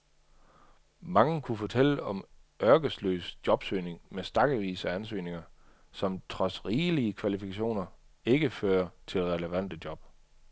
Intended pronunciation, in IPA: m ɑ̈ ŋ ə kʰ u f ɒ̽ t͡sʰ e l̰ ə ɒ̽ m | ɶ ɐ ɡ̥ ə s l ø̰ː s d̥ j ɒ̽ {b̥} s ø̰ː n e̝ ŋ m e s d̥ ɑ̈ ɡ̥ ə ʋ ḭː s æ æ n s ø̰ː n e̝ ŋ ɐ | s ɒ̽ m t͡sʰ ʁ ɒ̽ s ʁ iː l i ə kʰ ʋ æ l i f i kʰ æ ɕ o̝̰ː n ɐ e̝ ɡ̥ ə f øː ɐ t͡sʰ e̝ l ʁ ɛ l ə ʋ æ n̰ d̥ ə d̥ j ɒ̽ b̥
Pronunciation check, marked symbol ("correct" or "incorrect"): correct